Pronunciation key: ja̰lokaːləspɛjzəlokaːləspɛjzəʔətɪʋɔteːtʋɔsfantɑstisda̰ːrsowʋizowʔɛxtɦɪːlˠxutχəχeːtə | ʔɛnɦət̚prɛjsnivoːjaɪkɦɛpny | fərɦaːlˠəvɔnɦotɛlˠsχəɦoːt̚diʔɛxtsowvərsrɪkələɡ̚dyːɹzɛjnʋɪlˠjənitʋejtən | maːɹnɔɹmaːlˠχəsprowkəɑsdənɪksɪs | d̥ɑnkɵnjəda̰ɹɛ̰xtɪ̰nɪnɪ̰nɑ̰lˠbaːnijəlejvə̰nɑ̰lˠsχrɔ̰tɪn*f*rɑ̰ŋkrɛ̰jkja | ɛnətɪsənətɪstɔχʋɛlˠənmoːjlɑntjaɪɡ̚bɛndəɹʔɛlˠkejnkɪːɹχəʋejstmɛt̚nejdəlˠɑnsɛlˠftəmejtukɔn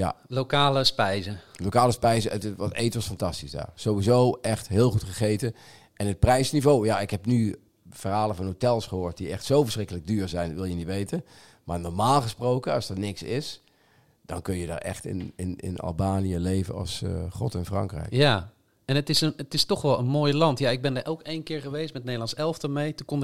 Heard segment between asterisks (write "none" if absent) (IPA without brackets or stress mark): f